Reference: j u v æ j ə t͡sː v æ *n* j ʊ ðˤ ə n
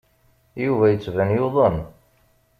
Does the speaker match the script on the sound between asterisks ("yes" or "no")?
yes